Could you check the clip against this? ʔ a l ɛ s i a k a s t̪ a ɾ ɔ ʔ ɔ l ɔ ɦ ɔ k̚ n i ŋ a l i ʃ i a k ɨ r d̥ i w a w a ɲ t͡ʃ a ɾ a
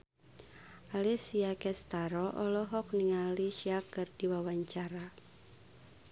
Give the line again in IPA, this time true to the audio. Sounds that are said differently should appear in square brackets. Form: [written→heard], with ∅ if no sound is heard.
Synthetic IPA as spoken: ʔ a l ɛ s i a k [a→ɛ] s t̪ a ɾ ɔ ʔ ɔ l ɔ ɦ ɔ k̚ n i ŋ a l i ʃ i a k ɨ r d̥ i w a w a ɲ t͡ʃ a ɾ a